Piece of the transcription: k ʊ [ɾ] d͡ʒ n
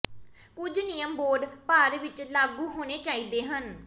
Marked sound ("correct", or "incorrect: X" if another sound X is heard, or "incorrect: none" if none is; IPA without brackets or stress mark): incorrect: none